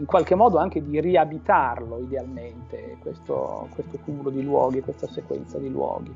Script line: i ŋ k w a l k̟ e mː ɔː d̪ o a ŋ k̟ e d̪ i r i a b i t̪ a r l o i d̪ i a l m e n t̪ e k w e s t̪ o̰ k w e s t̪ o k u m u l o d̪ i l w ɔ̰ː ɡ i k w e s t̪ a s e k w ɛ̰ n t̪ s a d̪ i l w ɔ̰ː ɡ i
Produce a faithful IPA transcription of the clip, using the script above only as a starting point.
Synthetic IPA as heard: i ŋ k w a l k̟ e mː ɔː d̪ o a ŋ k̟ e d̪ i r i a b i t̪ a r l o i d̪ e a l m e n t̪ e k w e s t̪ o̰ k w e s t̪ o k u m u l o d̪ i l w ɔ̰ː ɡ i k w e s t̪ a s e k w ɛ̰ n t̪ s a d̪ i l w ɔ̰ː ɡ i